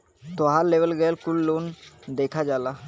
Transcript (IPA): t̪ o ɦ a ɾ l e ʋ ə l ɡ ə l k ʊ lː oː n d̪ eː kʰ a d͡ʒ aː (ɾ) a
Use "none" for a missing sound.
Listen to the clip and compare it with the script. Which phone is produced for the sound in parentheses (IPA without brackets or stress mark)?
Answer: l